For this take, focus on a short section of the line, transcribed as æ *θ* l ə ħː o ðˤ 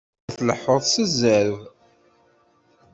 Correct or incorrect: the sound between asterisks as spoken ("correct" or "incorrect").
correct